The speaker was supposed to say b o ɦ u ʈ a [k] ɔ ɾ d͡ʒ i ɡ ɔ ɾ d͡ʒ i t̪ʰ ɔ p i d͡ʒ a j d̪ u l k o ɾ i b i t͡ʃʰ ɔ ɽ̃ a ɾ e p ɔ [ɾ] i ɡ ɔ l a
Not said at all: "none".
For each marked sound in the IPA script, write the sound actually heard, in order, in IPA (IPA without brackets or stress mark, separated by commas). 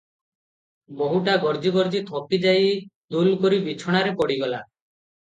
ɡ, ɽ